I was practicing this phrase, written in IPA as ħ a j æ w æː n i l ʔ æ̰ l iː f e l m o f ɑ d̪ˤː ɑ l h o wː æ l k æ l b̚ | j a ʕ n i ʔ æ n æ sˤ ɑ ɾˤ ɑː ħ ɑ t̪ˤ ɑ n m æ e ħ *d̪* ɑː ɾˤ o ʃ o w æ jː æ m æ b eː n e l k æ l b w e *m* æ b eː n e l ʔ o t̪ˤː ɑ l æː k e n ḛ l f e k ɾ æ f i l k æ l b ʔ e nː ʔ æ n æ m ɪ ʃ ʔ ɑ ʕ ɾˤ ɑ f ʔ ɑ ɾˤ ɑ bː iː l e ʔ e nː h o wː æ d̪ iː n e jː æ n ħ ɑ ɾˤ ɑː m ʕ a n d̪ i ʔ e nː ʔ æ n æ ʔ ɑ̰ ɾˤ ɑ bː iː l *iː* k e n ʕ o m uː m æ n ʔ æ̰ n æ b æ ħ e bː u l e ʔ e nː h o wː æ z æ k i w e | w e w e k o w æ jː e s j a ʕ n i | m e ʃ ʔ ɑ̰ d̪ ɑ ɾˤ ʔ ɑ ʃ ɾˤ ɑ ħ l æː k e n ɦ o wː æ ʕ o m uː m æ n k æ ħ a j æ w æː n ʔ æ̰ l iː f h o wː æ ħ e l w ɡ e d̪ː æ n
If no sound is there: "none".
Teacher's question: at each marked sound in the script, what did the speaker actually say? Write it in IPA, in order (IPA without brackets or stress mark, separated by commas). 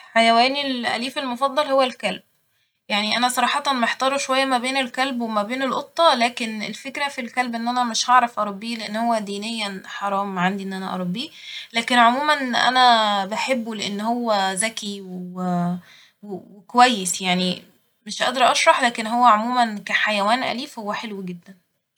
t̪, m, æː